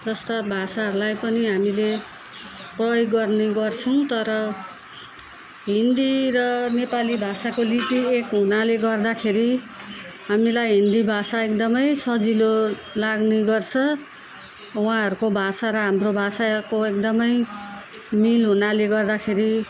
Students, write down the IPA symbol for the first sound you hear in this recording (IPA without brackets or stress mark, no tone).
d͡z